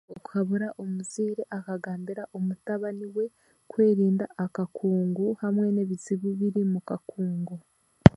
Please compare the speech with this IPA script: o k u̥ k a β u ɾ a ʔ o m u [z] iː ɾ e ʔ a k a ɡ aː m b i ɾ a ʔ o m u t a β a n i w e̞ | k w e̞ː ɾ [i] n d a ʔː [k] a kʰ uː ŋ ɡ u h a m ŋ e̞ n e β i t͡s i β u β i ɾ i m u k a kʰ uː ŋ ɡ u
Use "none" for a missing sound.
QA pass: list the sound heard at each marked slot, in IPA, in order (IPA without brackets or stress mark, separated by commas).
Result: z, iː, k